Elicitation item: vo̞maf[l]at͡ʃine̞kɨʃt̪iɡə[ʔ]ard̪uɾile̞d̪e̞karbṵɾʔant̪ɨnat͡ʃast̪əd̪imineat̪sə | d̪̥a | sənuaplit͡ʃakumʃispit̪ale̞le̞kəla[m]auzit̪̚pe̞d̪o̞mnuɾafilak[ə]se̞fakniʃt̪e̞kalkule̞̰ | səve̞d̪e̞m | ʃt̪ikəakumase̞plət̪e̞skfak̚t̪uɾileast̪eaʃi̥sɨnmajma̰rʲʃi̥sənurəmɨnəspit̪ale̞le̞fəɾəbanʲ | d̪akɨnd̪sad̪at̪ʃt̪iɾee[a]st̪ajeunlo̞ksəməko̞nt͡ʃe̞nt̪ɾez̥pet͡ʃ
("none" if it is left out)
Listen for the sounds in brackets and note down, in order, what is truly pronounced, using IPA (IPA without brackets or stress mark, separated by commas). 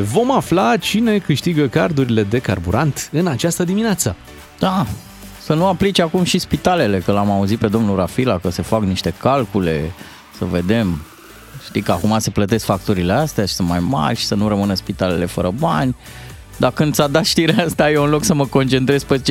l, k, m, ə, a